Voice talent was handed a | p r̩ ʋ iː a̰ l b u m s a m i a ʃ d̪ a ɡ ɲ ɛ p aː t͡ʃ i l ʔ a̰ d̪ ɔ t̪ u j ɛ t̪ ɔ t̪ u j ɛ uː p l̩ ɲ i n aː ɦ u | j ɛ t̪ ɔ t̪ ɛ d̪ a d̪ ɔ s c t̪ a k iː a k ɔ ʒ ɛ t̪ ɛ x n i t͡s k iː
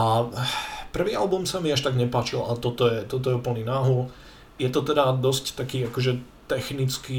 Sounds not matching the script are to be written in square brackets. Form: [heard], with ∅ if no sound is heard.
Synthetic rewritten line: a | p r̩ ʋ iː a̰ l b u m s a m i a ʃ [t̪] a ɡ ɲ ɛ p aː t͡ʃ i l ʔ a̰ [t̪] ɔ t̪ [ɔ] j ɛ t̪ ɔ t̪ [ɔ] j ɛ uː p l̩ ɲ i n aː ɦ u | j ɛ t̪ ɔ t̪ ɛ d̪ a d̪ ɔ s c t̪ a k iː a k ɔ ʒ ɛ t̪ ɛ x n i t͡s k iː